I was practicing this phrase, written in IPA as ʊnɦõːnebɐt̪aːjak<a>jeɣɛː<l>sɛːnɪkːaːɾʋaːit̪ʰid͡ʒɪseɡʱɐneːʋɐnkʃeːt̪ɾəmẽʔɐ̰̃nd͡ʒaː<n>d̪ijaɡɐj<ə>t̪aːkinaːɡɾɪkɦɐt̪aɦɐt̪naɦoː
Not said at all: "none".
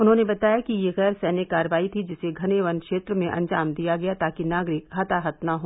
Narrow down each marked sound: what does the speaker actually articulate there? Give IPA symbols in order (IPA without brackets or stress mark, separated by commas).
i, ɾ, m, a